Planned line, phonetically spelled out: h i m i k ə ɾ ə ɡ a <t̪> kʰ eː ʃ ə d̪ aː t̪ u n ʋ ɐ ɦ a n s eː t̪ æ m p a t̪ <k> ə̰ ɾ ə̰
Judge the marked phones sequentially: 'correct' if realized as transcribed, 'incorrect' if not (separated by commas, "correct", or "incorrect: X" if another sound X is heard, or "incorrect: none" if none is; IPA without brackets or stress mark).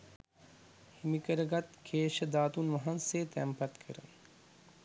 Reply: correct, incorrect: kʰ